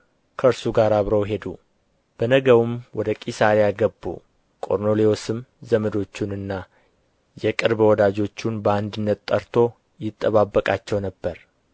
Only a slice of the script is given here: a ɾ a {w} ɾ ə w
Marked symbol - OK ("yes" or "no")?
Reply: no